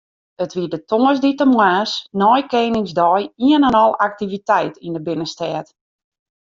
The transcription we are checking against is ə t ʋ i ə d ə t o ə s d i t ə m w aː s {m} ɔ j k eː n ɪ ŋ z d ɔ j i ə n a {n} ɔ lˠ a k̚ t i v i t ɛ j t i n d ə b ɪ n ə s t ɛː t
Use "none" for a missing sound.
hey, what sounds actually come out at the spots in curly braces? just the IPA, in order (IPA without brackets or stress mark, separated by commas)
n, n